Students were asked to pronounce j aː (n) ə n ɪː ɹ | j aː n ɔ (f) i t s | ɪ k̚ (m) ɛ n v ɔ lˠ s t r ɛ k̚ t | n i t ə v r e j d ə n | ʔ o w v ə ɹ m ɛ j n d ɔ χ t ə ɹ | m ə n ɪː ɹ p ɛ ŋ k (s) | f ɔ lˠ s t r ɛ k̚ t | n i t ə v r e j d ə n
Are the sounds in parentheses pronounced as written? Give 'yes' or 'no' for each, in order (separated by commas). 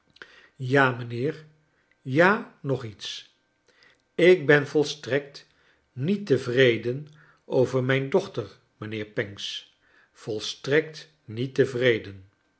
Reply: no, no, no, yes